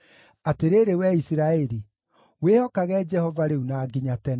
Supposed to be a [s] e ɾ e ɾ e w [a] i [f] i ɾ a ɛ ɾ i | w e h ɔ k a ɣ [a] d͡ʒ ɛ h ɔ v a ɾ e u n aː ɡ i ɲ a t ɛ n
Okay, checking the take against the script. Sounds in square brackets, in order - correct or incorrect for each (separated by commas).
incorrect, incorrect, incorrect, incorrect